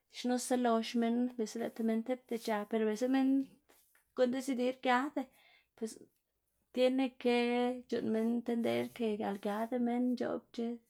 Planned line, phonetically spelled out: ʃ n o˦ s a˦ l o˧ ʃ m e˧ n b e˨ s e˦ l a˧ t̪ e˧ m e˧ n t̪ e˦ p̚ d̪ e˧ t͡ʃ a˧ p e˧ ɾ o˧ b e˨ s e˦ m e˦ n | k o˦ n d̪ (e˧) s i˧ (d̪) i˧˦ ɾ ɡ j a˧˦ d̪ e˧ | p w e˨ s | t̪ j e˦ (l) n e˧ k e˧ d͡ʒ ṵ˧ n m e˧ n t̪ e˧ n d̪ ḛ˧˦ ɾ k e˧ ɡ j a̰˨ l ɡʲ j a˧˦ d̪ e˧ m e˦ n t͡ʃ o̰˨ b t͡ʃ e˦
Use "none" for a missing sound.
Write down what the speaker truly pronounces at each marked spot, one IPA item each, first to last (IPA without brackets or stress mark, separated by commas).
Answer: e˧, d̪, none